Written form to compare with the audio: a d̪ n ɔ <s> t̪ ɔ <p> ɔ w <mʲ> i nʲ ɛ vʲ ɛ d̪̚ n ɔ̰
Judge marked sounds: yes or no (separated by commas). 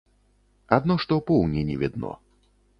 no, yes, no